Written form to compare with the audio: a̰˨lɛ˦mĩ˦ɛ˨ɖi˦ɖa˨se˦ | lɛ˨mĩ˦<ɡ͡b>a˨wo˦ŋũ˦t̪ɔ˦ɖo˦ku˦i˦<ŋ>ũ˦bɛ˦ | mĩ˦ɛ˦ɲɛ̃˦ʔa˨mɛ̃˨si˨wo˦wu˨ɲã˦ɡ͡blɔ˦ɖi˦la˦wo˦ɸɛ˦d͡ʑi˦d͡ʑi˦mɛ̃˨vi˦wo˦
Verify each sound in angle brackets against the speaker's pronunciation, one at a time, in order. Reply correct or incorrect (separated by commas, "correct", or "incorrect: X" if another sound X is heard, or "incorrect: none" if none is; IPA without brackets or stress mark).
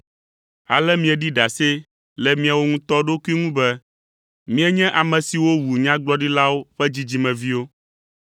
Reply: incorrect: none, correct